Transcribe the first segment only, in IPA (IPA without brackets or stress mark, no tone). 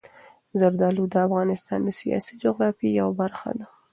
z